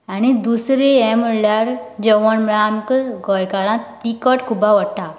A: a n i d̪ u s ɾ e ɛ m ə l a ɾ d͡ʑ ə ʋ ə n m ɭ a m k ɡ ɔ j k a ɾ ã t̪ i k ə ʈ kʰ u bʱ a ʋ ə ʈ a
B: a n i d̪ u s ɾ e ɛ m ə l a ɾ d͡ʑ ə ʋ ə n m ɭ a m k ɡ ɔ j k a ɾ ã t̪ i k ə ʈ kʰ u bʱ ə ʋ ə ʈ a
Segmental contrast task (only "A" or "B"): A